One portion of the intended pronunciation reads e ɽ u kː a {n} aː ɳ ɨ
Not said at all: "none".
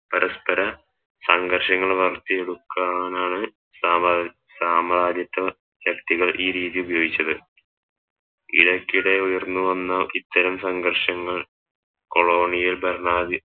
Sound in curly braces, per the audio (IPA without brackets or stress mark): n